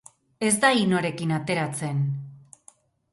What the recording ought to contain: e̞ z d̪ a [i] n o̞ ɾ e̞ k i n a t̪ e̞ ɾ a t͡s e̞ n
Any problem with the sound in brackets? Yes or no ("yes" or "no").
no